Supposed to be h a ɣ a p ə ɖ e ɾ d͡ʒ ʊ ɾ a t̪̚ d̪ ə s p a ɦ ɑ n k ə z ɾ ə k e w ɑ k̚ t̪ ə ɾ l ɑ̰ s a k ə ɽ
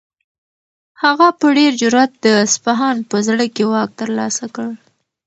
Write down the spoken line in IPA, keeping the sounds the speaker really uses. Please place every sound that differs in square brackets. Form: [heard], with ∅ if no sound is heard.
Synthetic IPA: h a ɣ a p ə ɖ e ɾ d͡ʒ ʊ ɾ a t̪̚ d̪ ə s p a ɦ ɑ n [p] ə z [ɽ] ə k e w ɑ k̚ t̪ ə ɾ l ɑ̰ s a k ə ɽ